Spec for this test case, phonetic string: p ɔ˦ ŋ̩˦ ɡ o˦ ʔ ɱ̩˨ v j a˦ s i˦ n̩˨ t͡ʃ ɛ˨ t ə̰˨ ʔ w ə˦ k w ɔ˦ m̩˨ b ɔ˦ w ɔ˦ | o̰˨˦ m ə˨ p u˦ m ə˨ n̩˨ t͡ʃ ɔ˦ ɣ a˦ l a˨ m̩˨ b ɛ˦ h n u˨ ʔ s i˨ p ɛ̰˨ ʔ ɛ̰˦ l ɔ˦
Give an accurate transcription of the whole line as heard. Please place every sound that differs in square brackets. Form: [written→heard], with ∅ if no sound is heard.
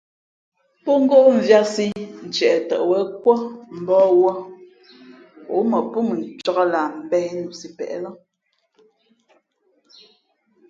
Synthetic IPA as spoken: p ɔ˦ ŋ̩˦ ɡ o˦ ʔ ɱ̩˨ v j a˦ s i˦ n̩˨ t͡ʃ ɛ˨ t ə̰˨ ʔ w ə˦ k w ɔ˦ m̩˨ b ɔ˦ w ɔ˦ | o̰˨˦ m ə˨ p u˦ m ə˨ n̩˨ t͡ʃ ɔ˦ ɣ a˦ l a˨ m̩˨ b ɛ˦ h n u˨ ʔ s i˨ p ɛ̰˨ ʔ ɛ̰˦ l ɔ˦